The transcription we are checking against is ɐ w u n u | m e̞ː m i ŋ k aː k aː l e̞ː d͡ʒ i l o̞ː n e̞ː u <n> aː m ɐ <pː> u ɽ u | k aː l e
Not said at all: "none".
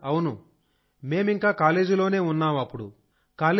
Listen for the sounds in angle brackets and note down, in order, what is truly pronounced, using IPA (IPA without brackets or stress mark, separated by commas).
nː, pː